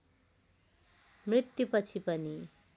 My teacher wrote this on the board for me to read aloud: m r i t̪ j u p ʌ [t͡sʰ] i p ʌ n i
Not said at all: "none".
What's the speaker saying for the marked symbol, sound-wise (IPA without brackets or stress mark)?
t͡sʰ